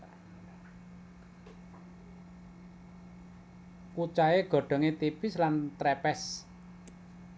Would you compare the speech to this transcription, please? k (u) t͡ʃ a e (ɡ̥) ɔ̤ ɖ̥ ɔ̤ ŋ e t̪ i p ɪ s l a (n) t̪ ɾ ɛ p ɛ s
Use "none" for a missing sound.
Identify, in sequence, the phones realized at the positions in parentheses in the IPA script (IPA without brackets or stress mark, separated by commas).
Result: u, ɡ̥, n